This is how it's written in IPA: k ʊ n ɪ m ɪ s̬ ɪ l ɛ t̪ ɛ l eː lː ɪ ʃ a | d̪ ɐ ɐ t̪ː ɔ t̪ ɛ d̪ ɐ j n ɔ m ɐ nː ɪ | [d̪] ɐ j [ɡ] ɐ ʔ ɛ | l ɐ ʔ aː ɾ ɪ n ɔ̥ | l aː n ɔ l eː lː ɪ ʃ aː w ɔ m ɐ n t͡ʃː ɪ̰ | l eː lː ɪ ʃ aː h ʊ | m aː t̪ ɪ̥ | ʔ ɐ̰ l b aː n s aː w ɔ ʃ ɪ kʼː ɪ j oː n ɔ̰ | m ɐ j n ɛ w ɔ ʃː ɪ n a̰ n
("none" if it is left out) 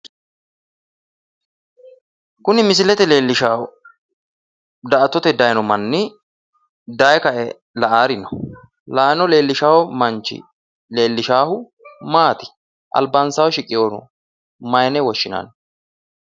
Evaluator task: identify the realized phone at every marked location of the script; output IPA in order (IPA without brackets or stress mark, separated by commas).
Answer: d̪, k